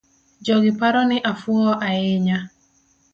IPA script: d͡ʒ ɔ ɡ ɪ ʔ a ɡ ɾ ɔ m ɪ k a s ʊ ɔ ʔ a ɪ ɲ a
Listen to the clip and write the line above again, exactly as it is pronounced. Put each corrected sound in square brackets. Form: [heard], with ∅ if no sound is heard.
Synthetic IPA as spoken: d͡ʒ ɔ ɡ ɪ [p] a [∅] ɾ ɔ [n] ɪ [ʔ] a [f] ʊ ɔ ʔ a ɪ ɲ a